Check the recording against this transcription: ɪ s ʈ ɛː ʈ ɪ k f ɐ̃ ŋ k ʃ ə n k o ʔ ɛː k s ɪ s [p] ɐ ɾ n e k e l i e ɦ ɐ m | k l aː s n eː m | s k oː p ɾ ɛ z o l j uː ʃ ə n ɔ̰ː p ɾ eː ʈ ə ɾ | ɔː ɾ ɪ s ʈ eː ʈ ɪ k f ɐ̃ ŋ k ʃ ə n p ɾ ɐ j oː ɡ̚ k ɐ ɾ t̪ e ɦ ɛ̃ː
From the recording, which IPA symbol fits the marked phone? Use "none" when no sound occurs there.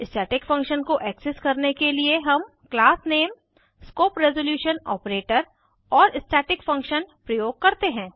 k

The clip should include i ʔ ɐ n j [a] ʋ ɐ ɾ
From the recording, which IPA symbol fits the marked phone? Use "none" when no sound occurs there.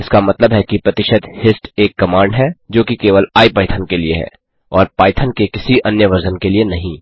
ə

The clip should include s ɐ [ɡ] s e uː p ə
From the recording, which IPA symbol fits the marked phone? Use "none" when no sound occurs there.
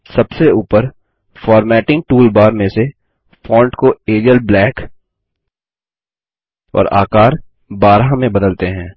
b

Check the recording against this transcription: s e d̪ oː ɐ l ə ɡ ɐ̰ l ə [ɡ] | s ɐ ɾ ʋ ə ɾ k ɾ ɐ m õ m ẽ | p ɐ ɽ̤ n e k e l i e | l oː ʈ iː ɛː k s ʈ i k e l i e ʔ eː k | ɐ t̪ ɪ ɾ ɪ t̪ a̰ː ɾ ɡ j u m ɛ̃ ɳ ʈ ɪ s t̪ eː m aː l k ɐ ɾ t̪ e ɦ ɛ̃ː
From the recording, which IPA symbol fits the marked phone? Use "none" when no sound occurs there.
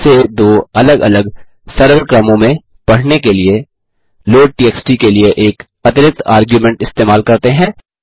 ɡ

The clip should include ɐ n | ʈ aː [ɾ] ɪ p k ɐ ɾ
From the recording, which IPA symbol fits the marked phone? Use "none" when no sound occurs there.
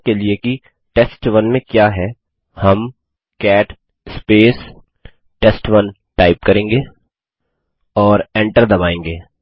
none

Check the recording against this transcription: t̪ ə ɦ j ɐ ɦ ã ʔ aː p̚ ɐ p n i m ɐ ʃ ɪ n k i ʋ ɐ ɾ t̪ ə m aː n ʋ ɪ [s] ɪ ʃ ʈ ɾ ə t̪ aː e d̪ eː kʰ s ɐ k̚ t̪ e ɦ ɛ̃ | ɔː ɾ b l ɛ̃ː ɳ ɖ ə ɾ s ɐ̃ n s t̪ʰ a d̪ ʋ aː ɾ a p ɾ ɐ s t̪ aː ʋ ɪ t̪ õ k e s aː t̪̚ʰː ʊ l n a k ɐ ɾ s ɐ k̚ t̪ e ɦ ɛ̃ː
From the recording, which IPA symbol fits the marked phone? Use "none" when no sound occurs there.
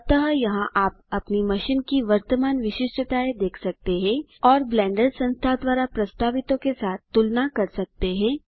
ʃ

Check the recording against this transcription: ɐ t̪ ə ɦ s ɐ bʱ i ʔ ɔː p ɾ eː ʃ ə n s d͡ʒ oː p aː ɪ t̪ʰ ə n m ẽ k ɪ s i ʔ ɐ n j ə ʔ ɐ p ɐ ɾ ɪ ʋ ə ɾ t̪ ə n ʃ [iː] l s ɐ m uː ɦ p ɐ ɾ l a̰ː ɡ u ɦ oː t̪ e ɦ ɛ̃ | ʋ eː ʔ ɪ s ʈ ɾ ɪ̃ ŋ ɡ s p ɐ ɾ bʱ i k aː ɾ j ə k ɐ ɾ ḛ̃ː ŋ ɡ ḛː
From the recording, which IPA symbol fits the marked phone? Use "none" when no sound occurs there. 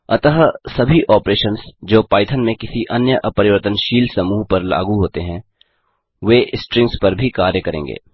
iː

